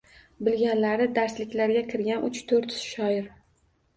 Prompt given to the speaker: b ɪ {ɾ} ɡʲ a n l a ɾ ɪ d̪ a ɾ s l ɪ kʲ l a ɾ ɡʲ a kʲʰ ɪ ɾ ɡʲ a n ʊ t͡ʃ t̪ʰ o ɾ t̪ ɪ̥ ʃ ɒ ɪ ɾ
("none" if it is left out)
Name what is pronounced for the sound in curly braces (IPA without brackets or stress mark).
l